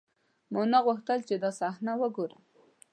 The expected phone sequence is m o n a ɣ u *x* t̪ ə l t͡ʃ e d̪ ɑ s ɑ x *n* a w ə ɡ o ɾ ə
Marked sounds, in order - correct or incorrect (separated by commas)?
correct, correct